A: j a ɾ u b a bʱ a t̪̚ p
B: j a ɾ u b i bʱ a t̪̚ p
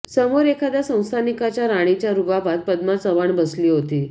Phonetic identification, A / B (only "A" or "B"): A